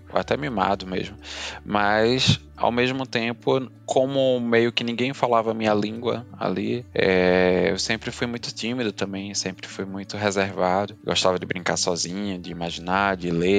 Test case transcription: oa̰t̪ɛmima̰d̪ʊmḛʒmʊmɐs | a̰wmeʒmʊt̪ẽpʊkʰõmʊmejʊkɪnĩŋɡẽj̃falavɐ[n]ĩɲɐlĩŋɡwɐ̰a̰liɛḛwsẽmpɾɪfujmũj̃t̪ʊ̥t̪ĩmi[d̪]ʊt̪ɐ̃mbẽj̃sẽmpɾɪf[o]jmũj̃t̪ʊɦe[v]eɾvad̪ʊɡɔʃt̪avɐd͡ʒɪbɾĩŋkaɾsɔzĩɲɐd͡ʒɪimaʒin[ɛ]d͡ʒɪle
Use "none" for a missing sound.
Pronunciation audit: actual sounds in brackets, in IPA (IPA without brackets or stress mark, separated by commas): m, d̪, u, z, a